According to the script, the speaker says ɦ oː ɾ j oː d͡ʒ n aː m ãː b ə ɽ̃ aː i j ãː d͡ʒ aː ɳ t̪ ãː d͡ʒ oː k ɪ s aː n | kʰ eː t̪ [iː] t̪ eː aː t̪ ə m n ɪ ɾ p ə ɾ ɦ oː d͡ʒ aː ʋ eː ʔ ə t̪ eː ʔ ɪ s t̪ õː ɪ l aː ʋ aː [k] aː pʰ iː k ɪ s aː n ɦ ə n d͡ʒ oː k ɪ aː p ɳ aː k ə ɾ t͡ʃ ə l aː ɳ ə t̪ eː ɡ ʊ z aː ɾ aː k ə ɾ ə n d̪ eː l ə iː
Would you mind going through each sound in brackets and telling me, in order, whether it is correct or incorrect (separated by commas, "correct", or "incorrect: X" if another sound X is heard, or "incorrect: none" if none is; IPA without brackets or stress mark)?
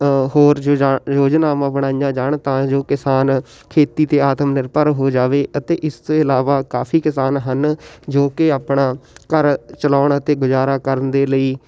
correct, correct